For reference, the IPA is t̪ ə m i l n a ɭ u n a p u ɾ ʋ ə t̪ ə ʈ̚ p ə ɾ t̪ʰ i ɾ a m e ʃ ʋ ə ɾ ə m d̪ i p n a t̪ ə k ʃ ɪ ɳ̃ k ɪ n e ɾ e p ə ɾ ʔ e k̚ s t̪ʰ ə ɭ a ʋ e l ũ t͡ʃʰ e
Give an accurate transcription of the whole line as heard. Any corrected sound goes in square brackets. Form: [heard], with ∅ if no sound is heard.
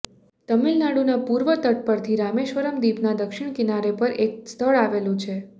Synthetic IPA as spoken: t̪ ə m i l n a [ɽ] u n a p u ɾ ʋ ə t̪ ə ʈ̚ p ə ɾ t̪ʰ i ɾ a m e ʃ ʋ ə ɾ ə m d̪ i p n a [d̪] ə k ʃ ɪ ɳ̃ k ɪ n [a] ɾ e p ə ɾ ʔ e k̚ s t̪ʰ ə ɭ a ʋ e l ũ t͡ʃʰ e